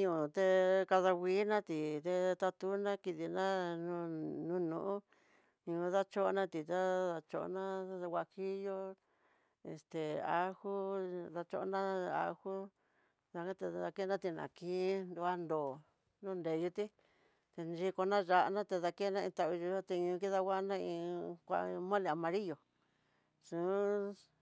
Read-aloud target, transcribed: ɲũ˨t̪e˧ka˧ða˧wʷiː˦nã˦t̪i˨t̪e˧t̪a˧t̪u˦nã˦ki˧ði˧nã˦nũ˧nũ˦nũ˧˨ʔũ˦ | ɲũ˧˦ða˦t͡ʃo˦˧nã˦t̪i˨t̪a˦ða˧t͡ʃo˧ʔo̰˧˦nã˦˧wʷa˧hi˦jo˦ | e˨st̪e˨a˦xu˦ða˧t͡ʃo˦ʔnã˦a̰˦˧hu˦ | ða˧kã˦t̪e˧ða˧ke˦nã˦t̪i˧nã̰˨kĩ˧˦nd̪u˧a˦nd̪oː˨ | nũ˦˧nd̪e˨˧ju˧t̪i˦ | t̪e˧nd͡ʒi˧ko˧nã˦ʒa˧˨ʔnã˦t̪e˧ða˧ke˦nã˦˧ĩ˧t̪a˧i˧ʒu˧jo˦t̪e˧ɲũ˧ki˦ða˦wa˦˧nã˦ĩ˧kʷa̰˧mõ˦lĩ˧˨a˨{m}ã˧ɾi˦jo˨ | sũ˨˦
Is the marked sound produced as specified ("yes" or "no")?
yes